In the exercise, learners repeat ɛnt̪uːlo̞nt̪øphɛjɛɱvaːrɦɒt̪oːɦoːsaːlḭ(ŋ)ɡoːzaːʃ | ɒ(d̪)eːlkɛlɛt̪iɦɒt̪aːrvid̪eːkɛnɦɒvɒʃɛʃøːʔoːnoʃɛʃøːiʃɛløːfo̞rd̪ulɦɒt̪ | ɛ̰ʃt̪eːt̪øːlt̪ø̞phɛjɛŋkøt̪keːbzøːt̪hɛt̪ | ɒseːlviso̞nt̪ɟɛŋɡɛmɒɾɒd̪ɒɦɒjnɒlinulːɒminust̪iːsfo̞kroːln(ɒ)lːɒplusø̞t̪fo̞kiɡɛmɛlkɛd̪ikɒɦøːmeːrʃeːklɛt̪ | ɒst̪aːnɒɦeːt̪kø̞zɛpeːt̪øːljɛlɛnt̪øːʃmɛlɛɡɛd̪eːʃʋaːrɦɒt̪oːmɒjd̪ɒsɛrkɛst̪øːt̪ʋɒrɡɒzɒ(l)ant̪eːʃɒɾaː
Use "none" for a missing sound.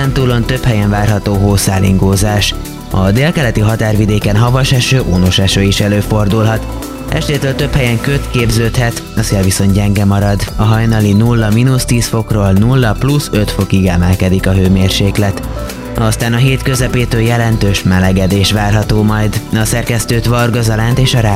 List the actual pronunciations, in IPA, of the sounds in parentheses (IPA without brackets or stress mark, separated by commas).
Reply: ŋ, d̪, u, l